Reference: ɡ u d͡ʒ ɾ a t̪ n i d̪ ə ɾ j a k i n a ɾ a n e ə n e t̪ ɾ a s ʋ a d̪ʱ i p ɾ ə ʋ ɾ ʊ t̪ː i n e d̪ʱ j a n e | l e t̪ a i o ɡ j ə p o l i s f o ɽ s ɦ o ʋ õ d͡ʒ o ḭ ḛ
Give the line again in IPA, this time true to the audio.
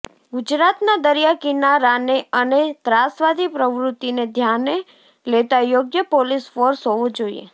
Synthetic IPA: ɡ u d͡ʒ ɾ a t̪ n a d̪ ə ɾ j a k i n a ɾ a n e ə n e t̪ ɾ a s ʋ a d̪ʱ i p ɾ ə ʋ ɾ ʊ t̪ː i n e d̪ʱ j a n e | l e t̪ a j o ɡ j ə p o l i s f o ɾ s ɦ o ʋ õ d͡ʒ o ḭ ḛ